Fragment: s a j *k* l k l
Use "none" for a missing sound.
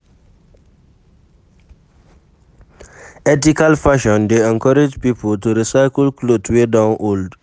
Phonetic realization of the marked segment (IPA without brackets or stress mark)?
k